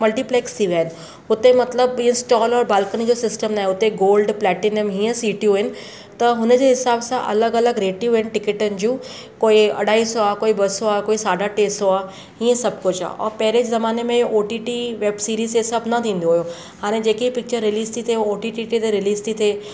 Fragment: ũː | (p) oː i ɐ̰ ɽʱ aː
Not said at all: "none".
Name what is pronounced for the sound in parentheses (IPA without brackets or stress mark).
k